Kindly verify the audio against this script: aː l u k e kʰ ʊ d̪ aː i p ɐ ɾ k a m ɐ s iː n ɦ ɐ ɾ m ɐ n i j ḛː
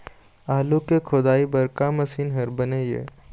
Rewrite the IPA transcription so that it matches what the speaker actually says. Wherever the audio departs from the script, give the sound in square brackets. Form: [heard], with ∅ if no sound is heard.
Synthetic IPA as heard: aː l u k e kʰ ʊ d̪ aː i [b] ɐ ɾ k a m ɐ s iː n ɦ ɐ ɾ [b] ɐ n [e] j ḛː